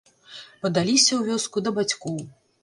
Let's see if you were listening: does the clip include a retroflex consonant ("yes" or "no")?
no